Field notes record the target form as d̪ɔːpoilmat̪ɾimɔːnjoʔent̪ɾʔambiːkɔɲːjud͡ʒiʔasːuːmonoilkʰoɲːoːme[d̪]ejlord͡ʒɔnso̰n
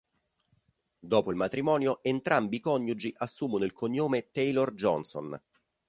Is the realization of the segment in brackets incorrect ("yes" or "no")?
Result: yes